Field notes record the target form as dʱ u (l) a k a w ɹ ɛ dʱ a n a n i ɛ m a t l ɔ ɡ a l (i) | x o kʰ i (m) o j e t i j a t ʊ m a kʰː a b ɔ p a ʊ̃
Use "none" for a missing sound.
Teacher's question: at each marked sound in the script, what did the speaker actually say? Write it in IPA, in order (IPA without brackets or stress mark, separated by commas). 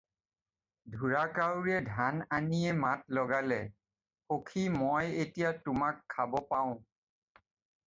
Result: ɹ, ɛ, m